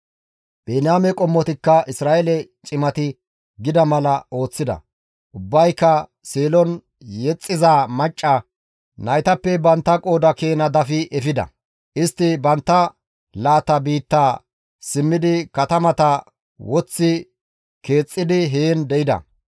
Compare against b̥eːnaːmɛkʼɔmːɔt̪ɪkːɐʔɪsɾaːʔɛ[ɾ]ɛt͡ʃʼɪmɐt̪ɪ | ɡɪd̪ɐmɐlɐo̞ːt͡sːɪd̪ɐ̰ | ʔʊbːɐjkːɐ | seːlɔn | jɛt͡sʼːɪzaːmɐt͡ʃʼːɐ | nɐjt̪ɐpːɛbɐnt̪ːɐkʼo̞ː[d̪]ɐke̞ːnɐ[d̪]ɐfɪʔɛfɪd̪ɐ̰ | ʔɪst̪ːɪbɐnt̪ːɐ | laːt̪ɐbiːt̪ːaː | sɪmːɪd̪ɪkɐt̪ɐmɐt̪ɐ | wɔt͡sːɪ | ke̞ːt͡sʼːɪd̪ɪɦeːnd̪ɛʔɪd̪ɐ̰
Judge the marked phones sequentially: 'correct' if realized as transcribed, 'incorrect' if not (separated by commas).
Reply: incorrect, correct, correct